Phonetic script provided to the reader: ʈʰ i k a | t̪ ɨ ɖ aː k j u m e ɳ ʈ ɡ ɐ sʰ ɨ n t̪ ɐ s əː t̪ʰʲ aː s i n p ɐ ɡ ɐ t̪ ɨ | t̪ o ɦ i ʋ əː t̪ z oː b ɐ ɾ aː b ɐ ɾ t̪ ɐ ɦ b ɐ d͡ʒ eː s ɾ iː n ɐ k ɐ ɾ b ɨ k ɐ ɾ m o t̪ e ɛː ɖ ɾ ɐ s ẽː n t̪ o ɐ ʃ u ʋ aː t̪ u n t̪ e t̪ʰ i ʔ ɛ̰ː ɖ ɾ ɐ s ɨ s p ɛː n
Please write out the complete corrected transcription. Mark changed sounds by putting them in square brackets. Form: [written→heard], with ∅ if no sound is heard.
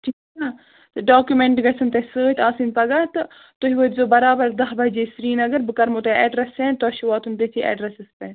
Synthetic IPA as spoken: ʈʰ i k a | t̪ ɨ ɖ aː k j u m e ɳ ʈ ɡ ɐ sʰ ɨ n t̪ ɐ s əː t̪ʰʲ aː s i n p ɐ ɡ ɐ t̪ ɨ | t̪ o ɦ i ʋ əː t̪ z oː b ɐ ɾ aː b ɐ ɾ [t̪→d̪] ɐ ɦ b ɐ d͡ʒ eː s ɾ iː n ɐ [k→ɡ] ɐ ɾ b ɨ k ɐ ɾ m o t̪ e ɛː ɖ ɾ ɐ s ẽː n t̪ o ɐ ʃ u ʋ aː t̪ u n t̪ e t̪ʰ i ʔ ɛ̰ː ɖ ɾ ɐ s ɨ s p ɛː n